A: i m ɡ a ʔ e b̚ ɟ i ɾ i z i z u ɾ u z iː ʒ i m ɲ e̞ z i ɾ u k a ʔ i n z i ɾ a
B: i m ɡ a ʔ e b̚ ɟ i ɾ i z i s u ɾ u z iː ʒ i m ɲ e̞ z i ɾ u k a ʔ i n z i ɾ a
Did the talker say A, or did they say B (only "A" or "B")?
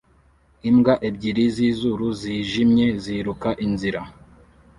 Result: A